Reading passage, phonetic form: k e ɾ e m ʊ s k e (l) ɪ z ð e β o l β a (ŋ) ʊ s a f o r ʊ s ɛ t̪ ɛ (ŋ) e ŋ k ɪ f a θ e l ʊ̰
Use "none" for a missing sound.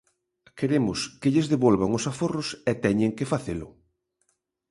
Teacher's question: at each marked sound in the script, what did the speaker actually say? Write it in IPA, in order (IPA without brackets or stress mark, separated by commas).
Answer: ʎ, ŋ, ɲ